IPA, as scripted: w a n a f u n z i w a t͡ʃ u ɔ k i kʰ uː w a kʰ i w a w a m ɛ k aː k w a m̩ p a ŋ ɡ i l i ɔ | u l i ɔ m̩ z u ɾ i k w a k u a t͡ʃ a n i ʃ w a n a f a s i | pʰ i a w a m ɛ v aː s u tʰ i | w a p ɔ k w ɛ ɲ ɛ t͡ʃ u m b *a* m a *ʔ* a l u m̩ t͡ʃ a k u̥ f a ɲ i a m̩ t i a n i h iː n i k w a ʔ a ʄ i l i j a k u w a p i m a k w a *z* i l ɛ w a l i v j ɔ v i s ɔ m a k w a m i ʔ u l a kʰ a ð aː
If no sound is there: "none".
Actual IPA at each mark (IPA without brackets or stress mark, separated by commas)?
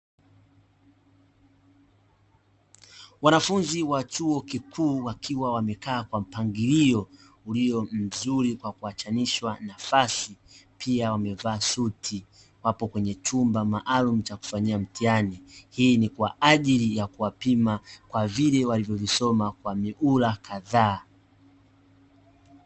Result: a, ʔ, v